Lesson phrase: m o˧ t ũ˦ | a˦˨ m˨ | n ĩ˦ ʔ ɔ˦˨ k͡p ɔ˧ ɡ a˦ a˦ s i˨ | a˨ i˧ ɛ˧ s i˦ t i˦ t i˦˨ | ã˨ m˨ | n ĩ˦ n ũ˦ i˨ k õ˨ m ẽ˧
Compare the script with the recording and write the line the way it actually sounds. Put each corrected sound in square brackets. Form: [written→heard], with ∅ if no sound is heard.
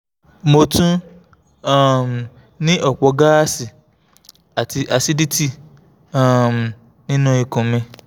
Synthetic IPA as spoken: m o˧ t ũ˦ | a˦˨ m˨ | n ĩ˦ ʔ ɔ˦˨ k͡p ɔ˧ ɡ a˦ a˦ s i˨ | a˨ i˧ [ɛ˧→a˧] s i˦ [t→d] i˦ t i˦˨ | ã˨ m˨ | n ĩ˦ n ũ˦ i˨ k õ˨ m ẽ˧

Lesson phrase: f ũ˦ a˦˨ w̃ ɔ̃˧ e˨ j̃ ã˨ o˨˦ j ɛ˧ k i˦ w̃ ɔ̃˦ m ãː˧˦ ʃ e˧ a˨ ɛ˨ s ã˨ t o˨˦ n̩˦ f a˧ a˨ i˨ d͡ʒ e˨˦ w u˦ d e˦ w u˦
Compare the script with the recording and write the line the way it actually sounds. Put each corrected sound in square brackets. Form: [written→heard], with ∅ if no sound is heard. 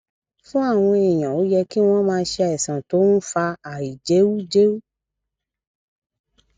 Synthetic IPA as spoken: f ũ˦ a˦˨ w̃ ɔ̃˧ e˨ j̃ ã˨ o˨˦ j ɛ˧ k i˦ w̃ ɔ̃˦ m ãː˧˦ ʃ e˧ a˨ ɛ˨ s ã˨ t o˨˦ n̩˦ f a˧ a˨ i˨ d͡ʒ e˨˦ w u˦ [d→d͡ʒ] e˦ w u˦

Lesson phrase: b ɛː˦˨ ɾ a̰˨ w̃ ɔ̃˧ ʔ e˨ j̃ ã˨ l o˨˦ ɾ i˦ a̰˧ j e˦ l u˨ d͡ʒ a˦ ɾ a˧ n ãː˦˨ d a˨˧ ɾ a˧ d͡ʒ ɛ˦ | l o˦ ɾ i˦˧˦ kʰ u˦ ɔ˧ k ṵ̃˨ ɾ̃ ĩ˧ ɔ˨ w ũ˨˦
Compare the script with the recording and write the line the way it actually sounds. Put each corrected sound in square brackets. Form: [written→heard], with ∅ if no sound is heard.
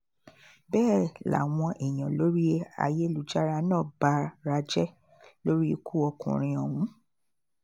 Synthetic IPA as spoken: b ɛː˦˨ [ɾ→l] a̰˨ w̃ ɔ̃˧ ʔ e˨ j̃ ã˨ l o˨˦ ɾ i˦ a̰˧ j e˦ l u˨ d͡ʒ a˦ ɾ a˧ n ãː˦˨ [d→b] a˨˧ ɾ a˧ d͡ʒ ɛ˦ | l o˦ ɾ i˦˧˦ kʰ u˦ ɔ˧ k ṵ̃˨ ɾ̃ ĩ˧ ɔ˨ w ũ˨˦

